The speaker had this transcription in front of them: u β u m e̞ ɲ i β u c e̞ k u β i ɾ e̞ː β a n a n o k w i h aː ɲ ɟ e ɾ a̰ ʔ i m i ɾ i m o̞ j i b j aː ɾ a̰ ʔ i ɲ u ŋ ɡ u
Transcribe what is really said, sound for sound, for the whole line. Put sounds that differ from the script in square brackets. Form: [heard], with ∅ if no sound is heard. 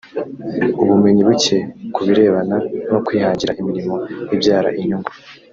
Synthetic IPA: u β u m e̞ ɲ i β u c e̞ k u β i ɾ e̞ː β a n a n o k w i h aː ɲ ɟ [i] ɾ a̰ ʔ i m i ɾ i m o̞ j i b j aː ɾ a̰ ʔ i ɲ u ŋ ɡ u